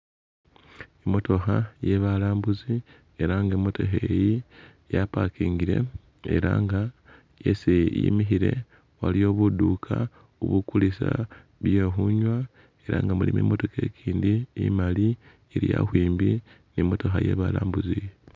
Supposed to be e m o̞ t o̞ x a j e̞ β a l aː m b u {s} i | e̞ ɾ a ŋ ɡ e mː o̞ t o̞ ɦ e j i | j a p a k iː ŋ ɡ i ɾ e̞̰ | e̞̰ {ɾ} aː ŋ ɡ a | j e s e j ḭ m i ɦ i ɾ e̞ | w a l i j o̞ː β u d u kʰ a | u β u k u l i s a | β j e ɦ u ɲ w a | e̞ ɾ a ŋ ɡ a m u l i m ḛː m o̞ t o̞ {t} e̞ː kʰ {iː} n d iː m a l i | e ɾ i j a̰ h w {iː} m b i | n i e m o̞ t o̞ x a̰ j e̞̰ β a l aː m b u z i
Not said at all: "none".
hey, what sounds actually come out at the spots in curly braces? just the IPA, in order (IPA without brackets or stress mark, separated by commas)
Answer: z, ɾ, k, iː, iː